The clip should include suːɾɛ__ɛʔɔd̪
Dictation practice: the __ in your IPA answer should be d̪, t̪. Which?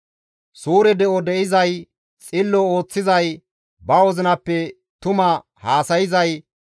d̪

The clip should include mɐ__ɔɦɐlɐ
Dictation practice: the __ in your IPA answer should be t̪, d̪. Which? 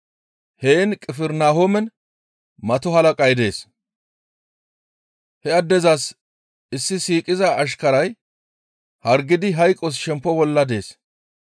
t̪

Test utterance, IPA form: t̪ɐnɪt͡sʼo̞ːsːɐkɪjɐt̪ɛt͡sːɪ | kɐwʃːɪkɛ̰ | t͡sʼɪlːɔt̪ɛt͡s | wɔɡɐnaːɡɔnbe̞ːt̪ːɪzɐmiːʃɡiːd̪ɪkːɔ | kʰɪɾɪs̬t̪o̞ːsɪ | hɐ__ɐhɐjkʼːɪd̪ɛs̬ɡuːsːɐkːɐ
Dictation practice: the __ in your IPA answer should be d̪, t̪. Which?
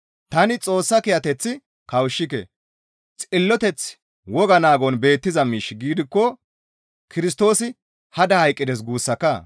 d̪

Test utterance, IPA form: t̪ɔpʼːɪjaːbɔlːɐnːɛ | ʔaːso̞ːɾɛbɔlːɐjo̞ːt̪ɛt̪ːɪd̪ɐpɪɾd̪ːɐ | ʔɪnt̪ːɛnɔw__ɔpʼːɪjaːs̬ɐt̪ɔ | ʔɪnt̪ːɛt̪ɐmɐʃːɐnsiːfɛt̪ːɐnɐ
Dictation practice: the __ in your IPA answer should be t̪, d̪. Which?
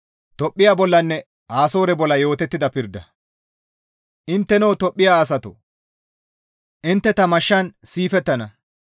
t̪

